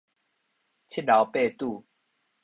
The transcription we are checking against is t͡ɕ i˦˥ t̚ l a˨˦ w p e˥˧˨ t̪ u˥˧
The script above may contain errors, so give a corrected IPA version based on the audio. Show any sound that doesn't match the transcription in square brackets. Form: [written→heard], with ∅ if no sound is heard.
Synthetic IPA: [t͡ɕ→t͡ɕʰ] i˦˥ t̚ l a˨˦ w p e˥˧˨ t̪ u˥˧